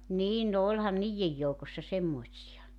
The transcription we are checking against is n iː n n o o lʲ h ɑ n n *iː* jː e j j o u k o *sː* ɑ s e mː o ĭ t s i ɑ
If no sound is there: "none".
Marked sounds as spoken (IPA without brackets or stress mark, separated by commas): iː, sː